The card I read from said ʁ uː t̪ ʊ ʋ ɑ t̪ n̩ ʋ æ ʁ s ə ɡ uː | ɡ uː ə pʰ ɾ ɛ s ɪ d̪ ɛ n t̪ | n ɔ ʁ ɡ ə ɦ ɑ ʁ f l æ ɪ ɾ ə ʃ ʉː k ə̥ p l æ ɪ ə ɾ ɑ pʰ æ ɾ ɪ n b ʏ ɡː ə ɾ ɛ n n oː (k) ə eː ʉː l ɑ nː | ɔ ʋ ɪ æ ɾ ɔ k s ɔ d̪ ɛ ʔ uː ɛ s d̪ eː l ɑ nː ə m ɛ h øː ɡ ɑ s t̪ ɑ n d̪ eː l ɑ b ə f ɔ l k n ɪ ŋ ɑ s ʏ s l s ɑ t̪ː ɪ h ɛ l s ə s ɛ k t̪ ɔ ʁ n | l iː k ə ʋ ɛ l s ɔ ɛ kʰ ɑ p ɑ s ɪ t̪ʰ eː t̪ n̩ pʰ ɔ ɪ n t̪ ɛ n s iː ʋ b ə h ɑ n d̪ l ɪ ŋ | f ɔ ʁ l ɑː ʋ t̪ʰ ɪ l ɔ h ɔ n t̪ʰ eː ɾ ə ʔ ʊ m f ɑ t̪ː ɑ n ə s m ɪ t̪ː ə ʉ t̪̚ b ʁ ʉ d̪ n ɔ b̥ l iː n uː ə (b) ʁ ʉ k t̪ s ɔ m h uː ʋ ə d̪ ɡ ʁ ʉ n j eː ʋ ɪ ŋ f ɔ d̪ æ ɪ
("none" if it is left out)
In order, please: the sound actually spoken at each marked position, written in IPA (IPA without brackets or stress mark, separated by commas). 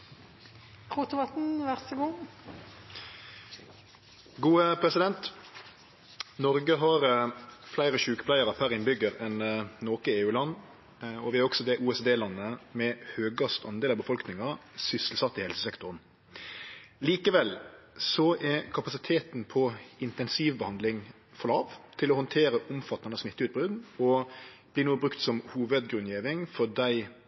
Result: k, b